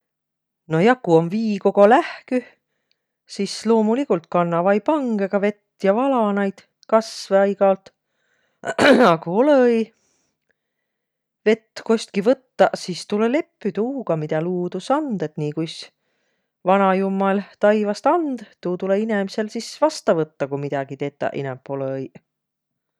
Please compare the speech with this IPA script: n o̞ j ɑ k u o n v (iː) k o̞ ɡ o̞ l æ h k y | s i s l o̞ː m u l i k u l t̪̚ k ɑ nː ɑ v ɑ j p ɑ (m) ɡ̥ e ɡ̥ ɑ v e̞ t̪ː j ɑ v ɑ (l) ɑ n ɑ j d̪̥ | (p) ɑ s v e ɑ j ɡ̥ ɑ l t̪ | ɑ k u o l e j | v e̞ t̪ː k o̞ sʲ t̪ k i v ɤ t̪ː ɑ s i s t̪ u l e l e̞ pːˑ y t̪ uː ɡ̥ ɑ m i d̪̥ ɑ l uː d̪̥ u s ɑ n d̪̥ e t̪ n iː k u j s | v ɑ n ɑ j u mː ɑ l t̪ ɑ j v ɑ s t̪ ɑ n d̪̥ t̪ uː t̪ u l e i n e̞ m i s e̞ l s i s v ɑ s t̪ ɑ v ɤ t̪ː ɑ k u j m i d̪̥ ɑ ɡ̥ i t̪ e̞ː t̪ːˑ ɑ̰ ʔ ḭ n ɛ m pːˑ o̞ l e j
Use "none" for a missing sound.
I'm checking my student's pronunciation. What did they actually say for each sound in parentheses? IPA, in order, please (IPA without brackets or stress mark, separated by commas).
iː, ŋ, l, k